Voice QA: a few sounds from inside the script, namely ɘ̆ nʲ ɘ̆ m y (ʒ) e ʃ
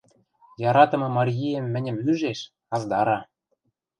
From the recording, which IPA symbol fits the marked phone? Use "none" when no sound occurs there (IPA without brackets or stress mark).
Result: ʒ